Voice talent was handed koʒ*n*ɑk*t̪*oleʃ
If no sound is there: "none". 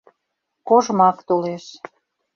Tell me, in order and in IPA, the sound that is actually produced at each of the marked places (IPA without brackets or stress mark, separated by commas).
m, t̪